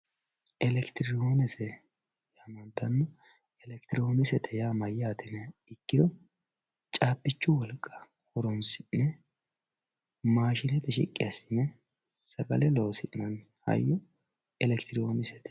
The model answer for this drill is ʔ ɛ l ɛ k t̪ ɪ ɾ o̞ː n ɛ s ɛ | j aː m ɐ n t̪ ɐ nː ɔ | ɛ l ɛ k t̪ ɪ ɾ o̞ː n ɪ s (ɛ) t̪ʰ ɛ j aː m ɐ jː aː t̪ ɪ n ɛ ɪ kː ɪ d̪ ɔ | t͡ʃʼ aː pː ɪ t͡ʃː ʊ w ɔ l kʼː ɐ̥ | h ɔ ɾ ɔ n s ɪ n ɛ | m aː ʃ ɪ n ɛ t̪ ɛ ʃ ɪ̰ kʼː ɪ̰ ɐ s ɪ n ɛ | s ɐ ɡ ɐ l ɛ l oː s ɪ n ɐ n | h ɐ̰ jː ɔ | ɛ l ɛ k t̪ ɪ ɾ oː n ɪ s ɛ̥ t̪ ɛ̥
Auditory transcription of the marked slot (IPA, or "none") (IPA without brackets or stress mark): ɛ